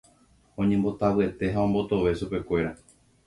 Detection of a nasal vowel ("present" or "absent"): present